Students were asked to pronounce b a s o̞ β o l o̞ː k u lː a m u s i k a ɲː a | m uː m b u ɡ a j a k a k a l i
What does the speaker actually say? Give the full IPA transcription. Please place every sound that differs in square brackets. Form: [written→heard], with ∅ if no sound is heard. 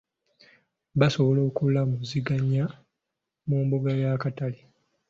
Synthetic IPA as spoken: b a s o̞ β o l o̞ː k u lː a m u [s→z] i [k→ɡ] a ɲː a | m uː m b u ɡ a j a k a [k→t] a l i

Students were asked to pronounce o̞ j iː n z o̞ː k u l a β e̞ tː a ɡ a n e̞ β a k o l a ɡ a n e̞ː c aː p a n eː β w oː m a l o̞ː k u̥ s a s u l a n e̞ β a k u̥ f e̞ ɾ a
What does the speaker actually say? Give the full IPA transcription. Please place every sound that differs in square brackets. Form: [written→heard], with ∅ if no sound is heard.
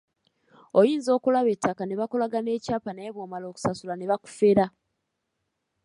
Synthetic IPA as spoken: o̞ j iː n z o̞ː k u l a β e̞ tː a [ɡ→k] a n e̞ β a k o l a ɡ a n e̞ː c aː p a n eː β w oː m a l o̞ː k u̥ s a s u l a n e̞ β a k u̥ f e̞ ɾ a

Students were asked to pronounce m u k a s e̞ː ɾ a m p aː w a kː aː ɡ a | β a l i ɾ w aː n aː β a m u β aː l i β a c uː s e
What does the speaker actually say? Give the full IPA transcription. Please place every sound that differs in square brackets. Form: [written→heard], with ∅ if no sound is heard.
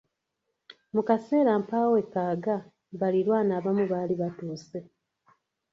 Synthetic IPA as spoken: m u k a s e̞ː ɾ a m p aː w [a→e] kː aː ɡ a | β a l i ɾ w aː n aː β a m u β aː l i β a [c→t] uː s e

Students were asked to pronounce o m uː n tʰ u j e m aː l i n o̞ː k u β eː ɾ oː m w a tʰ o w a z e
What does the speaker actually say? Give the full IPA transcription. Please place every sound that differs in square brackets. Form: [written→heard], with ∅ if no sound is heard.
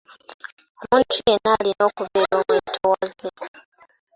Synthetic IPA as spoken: o m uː n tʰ u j e [m→n] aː l i n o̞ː k u β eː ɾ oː m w [a→e] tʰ o w a z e

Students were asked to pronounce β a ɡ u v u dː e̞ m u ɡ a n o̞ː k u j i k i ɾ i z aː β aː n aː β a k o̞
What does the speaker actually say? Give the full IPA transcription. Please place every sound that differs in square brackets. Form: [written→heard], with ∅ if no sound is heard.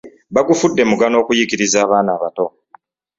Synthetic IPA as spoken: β a ɡ u [v→f] u dː e̞ m u ɡ a n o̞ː k u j i k i ɾ i z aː β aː n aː β a [k→t] o̞

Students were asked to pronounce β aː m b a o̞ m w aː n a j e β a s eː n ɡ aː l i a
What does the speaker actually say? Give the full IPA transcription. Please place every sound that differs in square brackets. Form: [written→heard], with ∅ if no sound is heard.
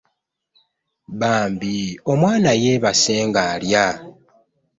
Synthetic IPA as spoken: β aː m b [a→i] o̞ m w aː n a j e β a s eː [n→ŋ] ɡ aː l [i→j] a

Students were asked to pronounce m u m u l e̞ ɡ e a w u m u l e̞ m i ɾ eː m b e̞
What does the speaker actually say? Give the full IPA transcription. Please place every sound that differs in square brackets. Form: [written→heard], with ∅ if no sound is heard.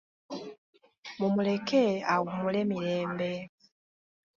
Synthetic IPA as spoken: m u m u l e̞ [ɡ→k] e a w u m u l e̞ m i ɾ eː m b e̞

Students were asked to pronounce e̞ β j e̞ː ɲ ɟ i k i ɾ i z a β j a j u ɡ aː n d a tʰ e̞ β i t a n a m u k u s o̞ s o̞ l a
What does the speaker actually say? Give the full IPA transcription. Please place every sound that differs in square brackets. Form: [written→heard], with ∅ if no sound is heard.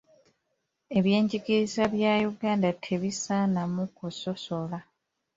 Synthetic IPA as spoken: e̞ β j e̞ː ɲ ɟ i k i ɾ i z a β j a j u ɡ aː n d a tʰ e̞ β i [t→s] a n a m u k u s o̞ s o̞ l a

